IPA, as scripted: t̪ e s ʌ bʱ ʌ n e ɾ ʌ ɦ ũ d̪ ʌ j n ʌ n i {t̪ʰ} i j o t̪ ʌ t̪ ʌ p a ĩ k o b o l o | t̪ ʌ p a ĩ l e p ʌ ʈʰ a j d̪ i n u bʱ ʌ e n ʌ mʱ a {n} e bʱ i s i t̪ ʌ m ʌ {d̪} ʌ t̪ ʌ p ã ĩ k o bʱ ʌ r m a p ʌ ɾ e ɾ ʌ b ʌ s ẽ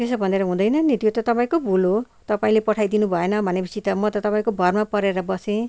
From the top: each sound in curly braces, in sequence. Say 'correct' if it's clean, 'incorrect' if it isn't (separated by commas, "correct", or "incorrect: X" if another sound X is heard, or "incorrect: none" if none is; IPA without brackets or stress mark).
incorrect: t̪, correct, incorrect: t̪